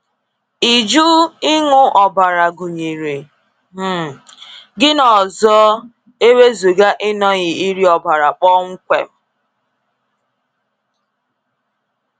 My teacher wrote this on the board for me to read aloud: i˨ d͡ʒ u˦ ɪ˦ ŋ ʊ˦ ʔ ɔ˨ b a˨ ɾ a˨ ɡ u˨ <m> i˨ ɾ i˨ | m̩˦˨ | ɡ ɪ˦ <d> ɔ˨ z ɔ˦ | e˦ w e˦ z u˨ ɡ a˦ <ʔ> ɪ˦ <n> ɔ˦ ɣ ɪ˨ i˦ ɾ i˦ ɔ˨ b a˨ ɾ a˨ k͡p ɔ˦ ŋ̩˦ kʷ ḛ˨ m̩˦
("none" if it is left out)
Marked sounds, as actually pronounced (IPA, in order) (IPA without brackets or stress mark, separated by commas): ɲ, n, ʔ, n